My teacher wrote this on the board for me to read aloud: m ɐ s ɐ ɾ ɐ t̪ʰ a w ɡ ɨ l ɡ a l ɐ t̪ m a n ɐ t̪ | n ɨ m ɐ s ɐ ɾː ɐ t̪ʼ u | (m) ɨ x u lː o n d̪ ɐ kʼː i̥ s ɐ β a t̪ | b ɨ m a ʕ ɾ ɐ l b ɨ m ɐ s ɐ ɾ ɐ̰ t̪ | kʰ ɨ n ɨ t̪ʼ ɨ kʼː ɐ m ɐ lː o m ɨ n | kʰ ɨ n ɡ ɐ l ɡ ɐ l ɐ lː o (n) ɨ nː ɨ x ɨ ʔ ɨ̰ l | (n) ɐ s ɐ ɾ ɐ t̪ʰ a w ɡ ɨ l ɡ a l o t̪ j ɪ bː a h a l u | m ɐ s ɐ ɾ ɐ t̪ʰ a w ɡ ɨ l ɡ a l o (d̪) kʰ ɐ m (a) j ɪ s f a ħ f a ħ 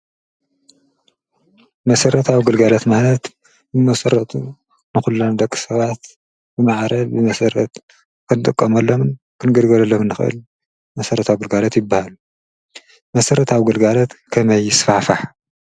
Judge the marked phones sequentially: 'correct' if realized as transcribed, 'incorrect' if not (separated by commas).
incorrect, incorrect, incorrect, incorrect, incorrect